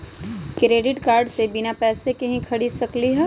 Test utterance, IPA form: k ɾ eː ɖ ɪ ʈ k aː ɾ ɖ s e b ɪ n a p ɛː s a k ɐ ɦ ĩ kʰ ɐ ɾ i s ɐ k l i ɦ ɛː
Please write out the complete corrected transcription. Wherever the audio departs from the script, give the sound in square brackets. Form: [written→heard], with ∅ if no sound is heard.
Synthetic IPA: k ɾ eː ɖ ɪ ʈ k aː ɾ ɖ s e b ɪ n a p ɛː s [a→e] k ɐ ɦ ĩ kʰ ɐ [ɾ→ɽ] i s ɐ k l i ɦ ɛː